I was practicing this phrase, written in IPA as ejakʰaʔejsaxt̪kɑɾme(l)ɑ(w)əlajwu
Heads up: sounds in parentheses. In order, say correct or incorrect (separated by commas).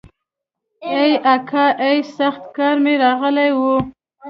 incorrect, incorrect